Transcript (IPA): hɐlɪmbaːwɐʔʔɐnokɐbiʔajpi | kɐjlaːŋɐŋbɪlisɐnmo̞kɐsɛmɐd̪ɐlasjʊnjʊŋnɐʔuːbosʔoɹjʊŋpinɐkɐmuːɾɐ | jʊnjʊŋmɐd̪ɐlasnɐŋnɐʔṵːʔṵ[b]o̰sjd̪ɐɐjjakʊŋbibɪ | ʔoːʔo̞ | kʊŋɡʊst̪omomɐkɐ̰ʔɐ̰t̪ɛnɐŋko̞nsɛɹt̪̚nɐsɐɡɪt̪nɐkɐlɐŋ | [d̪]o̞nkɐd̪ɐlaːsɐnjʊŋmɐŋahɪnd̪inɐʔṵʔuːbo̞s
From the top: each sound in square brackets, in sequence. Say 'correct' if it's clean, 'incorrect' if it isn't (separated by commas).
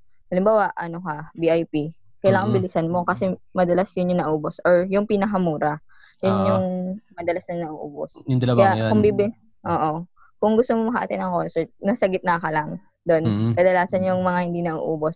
correct, correct